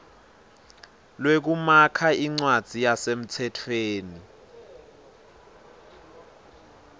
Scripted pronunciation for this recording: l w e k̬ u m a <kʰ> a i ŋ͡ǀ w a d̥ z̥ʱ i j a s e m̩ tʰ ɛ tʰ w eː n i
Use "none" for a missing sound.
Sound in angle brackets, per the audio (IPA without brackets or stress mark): kʰ